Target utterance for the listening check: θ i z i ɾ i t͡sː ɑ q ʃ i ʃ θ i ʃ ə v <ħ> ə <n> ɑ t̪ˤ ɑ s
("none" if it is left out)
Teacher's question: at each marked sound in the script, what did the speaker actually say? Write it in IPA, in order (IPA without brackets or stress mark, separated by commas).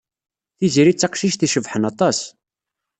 ħ, n